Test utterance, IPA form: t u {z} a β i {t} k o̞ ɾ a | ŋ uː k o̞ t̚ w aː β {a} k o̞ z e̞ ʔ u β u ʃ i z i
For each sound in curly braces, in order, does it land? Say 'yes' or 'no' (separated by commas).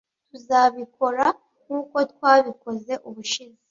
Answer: yes, no, no